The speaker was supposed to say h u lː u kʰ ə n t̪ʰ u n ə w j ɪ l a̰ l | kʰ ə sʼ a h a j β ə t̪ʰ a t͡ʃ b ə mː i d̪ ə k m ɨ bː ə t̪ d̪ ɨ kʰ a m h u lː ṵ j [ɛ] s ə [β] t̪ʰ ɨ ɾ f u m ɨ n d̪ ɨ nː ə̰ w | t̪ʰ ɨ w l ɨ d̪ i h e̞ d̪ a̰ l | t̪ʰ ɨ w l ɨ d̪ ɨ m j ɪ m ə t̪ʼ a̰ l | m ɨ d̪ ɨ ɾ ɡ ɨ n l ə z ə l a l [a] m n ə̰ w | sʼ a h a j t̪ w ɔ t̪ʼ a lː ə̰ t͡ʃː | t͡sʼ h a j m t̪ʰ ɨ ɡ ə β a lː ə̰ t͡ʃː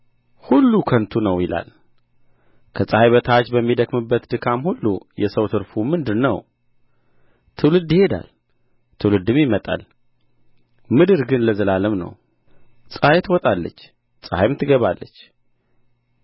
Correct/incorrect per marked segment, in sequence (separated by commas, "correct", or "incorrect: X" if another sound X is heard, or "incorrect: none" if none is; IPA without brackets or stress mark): correct, incorrect: w, incorrect: ə